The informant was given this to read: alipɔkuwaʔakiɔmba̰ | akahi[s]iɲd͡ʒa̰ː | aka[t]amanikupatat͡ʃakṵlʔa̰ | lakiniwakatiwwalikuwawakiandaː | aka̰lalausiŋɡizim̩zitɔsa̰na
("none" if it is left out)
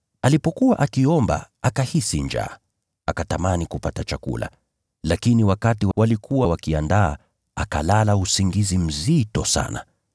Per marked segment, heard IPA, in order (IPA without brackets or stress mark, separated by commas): s, t